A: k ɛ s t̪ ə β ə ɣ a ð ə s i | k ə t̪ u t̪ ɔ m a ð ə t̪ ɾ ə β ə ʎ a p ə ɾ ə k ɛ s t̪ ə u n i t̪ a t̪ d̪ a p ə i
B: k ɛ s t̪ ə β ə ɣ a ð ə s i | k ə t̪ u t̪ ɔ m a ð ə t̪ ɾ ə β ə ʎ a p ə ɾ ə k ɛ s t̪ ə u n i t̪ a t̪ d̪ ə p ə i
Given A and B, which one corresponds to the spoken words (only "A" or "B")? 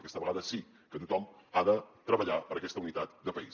B